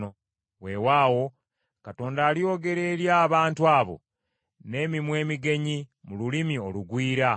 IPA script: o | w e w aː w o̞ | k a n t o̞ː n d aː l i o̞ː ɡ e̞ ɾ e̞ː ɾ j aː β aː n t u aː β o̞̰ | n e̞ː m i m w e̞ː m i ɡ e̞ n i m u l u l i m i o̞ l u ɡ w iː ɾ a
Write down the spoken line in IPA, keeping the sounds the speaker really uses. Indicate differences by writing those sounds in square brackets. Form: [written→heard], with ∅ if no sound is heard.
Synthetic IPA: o | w e w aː w o̞ | k a [n→∅] t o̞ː n d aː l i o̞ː ɡ e̞ ɾ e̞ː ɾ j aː β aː n t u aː β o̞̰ | n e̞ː m i m w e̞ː m i ɡ e̞ [n→ɲ] i m u l u l i m i o̞ l u ɡ w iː ɾ a